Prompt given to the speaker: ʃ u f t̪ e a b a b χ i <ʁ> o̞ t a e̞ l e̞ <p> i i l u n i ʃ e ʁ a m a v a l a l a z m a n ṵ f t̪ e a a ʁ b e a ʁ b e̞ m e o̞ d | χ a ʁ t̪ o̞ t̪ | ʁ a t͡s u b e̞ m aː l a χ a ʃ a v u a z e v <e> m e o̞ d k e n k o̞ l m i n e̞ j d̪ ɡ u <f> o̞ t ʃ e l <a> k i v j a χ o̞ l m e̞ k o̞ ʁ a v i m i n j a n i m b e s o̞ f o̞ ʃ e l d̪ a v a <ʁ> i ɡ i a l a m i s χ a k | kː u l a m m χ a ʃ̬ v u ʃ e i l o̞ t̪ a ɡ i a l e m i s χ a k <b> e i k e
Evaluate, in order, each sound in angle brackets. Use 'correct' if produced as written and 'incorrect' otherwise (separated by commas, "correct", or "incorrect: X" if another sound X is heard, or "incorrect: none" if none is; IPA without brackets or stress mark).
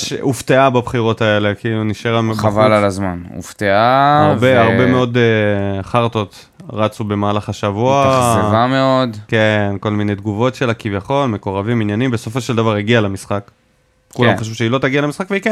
correct, incorrect: k, incorrect: a, incorrect: v, correct, correct, incorrect: v